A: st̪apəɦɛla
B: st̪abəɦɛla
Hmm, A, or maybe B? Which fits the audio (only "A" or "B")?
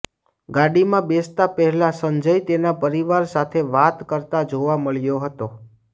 A